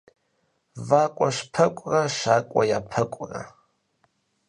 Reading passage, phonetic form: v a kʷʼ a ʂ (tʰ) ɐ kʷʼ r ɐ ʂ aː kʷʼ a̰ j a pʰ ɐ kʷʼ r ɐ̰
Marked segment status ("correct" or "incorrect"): incorrect